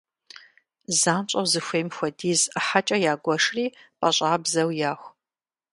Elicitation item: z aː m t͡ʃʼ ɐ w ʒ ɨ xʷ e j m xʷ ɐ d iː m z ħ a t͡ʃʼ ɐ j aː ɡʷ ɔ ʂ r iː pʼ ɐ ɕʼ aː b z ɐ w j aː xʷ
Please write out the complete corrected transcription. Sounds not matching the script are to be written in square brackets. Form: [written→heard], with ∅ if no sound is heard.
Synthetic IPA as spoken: z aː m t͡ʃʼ ɐ w [ʒ→z] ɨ xʷ e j m xʷ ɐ d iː [m→∅] z ħ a t͡ʃʼ ɐ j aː ɡʷ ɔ ʂ r iː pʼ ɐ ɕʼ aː b z ɐ w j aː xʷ